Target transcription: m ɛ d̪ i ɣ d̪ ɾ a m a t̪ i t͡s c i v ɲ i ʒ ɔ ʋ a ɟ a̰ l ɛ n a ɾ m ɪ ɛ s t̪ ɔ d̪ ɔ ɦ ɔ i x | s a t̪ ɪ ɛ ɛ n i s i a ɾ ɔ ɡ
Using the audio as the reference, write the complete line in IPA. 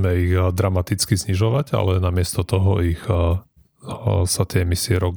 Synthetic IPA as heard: m ɛ i ɣ d̪ ɾ a m a t̪ i t͡s k i z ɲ i ʒ ɔ ʋ a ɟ a̰ l ɛ n a m ɪ ɛ s t̪ ɔ t̪ ɔ ɦ ɔ i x | s a t̪ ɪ ɛ ɛ m i s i ɛ ɾ ɔ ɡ